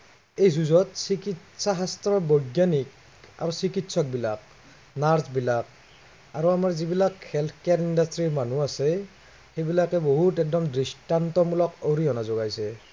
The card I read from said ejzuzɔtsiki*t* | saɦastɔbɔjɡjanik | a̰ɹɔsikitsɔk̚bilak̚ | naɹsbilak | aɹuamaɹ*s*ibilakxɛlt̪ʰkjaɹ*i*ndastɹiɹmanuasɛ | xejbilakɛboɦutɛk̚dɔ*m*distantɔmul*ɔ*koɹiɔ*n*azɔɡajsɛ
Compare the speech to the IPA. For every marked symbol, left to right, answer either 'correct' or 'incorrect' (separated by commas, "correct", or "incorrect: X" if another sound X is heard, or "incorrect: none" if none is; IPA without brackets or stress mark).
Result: correct, incorrect: z, correct, correct, correct, correct